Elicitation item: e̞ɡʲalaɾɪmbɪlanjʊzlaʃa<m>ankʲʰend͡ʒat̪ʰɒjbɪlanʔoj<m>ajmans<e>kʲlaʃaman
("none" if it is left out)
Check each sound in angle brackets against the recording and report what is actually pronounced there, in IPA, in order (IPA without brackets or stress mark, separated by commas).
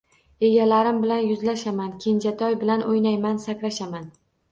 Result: m, n, a